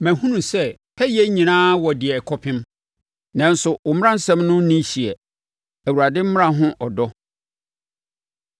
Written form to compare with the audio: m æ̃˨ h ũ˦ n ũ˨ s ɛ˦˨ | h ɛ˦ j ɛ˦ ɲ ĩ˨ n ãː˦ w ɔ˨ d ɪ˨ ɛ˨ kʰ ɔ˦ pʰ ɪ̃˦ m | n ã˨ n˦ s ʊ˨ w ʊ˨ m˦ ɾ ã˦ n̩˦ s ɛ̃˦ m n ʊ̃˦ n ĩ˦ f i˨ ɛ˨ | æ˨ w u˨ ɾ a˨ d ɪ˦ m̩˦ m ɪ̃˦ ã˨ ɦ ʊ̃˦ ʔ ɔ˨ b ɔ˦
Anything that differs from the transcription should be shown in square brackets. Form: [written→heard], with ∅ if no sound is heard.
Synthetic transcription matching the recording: m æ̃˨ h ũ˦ n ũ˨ s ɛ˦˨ | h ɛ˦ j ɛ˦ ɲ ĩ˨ n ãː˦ w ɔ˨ d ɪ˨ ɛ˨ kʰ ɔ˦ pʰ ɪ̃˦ m | n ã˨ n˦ s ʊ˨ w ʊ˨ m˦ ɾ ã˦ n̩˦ s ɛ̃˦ m n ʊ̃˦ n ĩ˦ [f→ɕ] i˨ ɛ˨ | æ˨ w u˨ ɾ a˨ d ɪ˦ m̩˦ m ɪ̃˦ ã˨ ɦ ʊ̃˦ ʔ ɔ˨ [b→d] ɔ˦